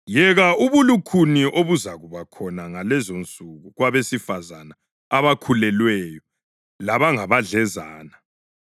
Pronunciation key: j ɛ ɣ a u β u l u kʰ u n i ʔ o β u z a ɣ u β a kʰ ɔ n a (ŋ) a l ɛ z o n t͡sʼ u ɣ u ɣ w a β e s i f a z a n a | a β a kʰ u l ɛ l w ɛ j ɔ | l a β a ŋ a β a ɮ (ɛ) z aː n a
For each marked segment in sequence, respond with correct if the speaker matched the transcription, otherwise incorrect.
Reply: correct, correct

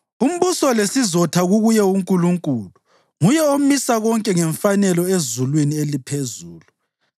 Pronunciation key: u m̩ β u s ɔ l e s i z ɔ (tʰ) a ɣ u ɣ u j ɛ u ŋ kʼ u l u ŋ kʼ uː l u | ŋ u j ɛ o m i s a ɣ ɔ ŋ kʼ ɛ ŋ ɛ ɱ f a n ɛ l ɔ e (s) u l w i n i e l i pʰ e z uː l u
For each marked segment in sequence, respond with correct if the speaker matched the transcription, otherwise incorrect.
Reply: correct, incorrect: z

